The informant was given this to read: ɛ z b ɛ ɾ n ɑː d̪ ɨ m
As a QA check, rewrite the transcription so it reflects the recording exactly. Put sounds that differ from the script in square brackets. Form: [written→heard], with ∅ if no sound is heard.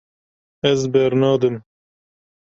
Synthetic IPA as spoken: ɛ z b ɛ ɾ n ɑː d̪ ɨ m